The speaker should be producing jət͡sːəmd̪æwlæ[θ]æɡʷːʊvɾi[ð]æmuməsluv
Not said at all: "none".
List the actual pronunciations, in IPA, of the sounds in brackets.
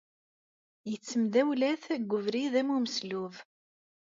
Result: θ, ð

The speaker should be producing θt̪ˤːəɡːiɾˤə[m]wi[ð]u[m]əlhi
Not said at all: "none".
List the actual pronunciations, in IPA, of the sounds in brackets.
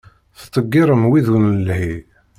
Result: m, ð, n

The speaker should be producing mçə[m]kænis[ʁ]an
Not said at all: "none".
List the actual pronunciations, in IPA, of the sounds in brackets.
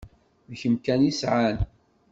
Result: m, ʕ

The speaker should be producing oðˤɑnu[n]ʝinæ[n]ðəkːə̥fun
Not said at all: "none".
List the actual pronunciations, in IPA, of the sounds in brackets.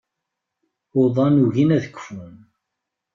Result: none, none

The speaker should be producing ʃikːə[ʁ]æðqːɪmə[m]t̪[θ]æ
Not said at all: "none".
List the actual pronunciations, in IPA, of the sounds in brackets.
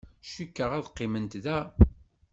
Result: ʁ, n, ð

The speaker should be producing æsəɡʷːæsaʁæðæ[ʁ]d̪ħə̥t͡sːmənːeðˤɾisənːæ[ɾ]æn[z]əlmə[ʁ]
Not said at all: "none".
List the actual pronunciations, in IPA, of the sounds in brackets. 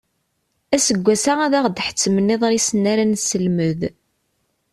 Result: ʁ, ɾ, s, ð

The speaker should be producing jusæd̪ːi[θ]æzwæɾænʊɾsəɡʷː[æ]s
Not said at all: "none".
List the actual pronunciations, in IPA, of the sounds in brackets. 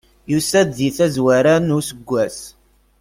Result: θ, æ

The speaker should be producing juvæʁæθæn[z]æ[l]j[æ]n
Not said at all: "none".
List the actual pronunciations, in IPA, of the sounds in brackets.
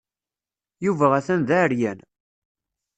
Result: ð, ɾ, æ

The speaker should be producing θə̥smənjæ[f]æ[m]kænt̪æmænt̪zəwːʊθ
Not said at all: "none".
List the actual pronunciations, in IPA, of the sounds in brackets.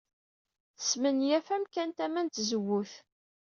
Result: f, m

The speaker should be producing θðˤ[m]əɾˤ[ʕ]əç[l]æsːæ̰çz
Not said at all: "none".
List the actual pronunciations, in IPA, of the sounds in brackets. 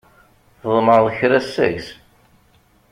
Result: m, ð, ɾ

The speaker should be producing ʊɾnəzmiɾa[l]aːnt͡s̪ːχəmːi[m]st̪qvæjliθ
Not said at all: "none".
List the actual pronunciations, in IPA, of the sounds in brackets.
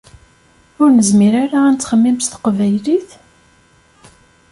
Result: ɾ, m

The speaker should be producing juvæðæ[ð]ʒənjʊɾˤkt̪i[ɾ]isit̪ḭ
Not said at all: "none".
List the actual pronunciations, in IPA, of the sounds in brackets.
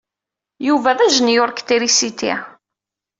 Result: none, ɾ

